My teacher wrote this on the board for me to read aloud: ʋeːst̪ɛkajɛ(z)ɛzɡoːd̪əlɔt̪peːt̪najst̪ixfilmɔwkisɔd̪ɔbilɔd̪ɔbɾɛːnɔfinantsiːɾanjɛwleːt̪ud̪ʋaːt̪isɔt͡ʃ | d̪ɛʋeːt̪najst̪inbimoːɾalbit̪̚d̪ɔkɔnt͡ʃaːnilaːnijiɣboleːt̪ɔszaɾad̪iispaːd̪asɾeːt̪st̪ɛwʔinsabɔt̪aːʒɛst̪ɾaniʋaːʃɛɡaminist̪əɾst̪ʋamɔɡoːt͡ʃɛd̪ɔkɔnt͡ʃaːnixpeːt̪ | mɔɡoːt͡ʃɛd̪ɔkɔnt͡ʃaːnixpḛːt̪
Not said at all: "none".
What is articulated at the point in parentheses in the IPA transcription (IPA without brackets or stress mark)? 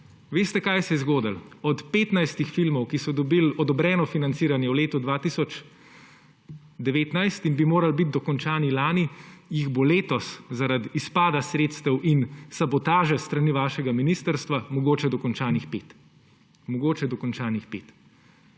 s